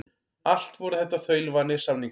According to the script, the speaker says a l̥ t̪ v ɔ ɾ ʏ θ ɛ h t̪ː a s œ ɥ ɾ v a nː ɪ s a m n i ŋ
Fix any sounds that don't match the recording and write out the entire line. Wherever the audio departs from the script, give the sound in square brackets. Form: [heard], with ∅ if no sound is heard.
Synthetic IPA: a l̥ t̪ v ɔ ɾ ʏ θ ɛ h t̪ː a [θ] œ ɥ [l] v a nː ɪ s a m n i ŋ